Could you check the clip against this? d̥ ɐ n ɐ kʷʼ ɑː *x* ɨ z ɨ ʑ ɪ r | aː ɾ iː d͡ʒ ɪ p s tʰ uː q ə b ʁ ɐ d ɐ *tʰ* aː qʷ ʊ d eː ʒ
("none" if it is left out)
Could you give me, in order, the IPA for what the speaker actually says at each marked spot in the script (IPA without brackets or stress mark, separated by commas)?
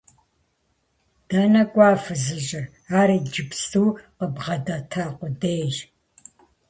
f, tʰ